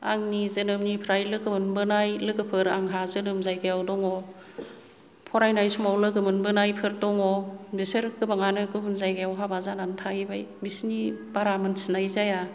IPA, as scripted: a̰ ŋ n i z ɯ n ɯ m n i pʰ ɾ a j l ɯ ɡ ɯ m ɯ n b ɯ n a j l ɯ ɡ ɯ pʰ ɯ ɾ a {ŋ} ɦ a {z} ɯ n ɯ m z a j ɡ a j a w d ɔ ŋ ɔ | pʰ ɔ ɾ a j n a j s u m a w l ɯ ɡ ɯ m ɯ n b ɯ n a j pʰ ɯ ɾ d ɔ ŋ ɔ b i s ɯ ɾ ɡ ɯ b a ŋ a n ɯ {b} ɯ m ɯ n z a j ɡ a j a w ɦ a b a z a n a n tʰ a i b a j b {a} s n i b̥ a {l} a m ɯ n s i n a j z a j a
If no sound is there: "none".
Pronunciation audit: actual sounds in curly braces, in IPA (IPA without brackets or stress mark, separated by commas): ŋ, z, ɡ, i, ɾ